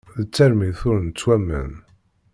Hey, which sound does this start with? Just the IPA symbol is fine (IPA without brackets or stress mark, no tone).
ð